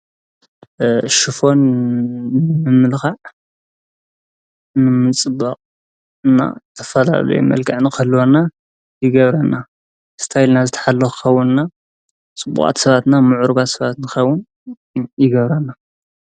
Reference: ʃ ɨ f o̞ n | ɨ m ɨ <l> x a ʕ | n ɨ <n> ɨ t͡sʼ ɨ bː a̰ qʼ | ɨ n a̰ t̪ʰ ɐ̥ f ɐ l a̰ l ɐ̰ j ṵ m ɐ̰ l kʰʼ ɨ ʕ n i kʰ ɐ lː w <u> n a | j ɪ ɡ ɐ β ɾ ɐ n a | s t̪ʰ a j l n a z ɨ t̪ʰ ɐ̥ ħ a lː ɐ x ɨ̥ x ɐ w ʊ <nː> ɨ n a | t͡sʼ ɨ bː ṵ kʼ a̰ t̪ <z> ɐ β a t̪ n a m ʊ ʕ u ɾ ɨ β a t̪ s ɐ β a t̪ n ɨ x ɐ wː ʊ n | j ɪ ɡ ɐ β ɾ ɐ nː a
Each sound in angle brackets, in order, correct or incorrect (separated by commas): correct, incorrect, incorrect, incorrect, incorrect